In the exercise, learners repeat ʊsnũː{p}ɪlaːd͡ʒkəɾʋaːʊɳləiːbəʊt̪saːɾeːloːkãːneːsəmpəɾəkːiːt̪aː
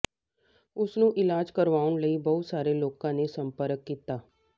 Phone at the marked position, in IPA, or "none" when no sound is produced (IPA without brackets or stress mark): ʔ